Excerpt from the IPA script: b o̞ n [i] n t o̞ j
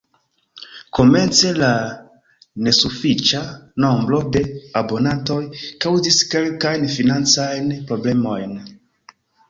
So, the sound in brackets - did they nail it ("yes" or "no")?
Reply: no